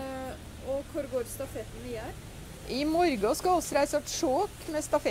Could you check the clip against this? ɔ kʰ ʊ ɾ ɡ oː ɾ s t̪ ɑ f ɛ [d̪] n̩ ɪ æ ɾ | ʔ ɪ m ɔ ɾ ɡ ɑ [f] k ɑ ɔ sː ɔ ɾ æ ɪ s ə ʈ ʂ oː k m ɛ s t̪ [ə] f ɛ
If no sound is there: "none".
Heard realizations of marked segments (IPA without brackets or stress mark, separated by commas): t̪, s, ɑ